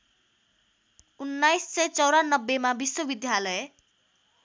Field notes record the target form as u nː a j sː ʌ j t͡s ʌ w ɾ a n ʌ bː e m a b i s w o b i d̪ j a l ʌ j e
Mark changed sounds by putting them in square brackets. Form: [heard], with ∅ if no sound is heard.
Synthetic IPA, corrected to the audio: u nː a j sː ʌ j t͡s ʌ w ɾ a n ʌ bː e m a b i s w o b i d̪ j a l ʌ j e